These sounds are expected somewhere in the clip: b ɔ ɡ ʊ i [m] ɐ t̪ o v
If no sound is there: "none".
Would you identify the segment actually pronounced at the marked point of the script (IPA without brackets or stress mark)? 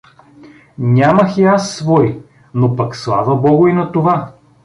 n